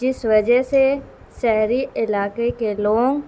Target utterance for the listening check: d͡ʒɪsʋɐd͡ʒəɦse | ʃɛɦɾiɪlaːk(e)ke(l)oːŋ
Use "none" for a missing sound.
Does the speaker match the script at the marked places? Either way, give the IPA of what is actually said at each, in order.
e, l

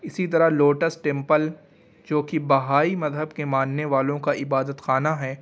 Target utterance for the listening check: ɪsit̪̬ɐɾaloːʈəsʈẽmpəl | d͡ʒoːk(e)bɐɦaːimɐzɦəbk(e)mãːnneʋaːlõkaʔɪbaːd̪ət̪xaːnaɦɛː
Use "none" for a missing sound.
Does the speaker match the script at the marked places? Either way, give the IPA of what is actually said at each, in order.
i, e

